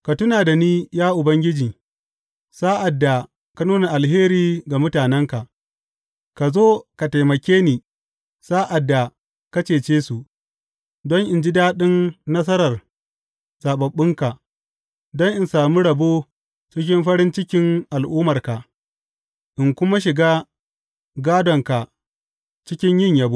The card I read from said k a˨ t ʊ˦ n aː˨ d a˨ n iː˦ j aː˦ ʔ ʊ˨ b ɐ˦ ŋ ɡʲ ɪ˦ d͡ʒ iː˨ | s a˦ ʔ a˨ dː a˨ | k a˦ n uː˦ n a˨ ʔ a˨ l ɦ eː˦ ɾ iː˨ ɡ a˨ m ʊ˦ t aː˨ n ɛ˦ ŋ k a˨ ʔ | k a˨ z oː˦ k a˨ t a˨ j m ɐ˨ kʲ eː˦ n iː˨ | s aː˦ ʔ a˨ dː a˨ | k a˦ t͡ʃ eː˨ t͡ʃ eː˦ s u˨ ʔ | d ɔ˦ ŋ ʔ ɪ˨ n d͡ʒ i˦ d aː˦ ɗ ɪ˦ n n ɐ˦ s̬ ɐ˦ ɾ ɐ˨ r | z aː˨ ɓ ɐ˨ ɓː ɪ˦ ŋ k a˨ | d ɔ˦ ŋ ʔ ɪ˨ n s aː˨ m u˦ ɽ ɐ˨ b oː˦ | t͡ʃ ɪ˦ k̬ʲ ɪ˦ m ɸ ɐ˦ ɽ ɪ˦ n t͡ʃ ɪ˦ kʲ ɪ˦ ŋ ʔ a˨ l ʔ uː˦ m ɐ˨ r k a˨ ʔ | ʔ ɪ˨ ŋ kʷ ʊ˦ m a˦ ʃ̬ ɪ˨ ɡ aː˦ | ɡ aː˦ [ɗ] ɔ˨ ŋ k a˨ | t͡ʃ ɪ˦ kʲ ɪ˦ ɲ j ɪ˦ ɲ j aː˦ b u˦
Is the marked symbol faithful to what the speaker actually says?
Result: no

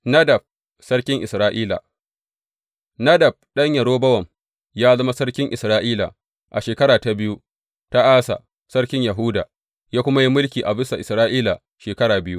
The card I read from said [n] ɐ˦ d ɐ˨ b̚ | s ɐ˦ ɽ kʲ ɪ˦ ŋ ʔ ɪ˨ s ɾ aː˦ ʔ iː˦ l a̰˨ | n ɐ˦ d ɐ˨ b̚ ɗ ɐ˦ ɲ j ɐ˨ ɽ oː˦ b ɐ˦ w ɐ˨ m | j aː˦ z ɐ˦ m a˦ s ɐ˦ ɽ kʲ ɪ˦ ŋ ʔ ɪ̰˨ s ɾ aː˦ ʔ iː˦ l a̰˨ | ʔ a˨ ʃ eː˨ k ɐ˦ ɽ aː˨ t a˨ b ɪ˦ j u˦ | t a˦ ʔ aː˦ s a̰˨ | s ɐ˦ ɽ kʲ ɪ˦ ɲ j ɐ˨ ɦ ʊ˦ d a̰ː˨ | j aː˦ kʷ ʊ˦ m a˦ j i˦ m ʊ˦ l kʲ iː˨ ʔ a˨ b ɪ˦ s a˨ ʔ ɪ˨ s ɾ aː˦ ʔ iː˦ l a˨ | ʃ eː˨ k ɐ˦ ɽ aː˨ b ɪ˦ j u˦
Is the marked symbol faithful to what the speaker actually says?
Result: yes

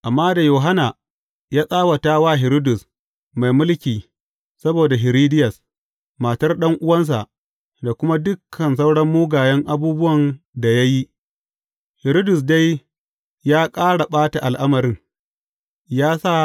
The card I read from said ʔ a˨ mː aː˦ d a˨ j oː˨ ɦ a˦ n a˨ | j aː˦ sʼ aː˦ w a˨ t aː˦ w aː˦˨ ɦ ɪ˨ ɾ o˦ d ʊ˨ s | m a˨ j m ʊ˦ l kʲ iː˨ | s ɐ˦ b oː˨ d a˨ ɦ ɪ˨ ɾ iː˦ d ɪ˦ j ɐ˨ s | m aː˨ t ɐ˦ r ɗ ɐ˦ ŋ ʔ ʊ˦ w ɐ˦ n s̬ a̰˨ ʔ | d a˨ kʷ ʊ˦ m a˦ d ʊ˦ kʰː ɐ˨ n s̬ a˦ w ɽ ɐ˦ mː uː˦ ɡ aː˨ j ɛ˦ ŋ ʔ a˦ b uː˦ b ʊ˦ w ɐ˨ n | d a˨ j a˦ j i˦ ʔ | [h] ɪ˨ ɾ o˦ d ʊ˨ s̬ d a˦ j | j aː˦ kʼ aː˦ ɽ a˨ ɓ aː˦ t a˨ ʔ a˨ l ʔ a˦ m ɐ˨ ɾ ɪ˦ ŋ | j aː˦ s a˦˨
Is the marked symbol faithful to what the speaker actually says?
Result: yes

